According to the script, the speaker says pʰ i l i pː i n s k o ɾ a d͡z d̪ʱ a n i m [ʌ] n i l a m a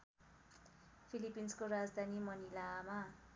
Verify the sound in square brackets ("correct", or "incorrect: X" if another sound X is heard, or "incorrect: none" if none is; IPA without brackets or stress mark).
correct